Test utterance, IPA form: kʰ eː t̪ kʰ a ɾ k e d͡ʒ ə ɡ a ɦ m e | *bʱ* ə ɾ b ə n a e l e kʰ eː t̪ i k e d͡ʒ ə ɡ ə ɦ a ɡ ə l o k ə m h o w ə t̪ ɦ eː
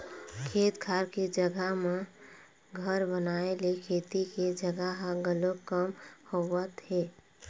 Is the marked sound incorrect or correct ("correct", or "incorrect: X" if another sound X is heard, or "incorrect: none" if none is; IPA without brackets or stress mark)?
incorrect: ɡʱ